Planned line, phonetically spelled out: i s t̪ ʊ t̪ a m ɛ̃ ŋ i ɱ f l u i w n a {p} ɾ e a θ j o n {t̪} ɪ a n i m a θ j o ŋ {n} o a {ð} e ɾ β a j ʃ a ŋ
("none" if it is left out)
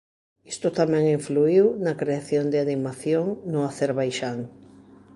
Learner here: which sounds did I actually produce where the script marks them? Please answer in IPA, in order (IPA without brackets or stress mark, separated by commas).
k, d̪, n, θ